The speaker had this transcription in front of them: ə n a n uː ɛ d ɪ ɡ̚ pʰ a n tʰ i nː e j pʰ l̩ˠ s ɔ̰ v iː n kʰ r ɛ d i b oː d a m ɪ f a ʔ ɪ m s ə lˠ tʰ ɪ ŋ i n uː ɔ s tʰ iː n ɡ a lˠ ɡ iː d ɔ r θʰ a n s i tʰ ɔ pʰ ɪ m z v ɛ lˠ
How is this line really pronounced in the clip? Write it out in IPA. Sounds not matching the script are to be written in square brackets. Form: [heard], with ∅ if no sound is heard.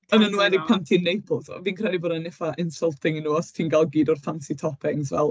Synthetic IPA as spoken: ə n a n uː ɛ d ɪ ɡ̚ pʰ a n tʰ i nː e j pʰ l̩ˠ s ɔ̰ v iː n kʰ r ɛ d i b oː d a [n] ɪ f a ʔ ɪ [n] s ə lˠ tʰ ɪ ŋ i n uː ɔ s tʰ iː n ɡ a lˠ ɡ iː d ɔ r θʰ a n s i tʰ ɔ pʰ ɪ [ŋ] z v ɛ lˠ